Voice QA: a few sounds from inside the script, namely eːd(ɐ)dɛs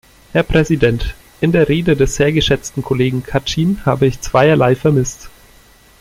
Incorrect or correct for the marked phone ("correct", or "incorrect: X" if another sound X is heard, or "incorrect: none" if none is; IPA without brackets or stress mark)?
incorrect: ə